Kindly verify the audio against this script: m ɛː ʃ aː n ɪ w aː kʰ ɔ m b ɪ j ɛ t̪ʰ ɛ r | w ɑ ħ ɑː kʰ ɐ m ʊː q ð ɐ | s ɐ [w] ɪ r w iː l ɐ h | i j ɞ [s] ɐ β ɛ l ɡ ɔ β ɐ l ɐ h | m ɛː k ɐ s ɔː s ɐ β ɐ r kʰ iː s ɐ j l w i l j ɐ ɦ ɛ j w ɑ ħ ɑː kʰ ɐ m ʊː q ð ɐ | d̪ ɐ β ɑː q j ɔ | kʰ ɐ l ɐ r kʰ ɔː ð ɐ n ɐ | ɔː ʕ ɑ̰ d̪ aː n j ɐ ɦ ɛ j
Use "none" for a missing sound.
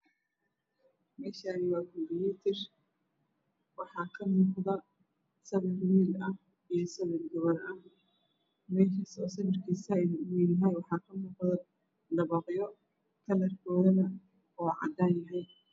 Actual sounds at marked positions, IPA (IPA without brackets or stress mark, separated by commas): β, s